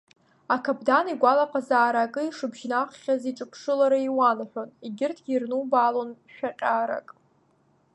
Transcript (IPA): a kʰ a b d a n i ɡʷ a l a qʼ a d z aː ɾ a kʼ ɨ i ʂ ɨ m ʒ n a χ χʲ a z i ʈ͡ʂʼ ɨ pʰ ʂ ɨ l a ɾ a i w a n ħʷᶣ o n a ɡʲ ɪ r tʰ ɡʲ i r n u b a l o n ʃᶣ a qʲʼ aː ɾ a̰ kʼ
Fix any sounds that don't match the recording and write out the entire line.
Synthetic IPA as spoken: a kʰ a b d a n i ɡʷ a l a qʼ a z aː ɾ a kʼ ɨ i ʂ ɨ b ʒ n a χ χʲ a z i ʈ͡ʂʼ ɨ pʰ ʂ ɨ l a ɾ a i w a n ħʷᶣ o n i ɡʲ ɪ r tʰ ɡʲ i r n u b a l o n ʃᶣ a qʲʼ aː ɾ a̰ kʼ